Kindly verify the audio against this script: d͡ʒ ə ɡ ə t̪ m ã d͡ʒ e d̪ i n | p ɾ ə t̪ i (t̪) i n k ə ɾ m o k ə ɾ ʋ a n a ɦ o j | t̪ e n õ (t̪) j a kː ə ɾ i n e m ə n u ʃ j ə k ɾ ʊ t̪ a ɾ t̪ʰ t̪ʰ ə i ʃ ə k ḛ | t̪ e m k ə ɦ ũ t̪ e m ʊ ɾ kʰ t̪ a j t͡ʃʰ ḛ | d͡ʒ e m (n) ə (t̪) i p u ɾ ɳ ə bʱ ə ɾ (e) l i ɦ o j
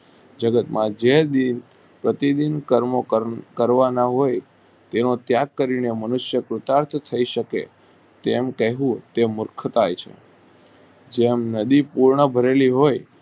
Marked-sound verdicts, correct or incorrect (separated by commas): incorrect, correct, correct, incorrect, correct